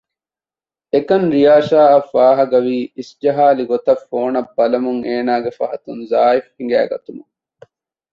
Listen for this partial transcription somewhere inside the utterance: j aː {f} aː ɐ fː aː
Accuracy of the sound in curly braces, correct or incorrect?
incorrect